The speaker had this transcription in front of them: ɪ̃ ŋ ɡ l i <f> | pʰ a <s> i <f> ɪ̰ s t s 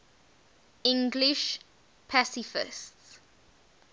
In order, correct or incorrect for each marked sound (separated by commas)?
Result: incorrect, correct, correct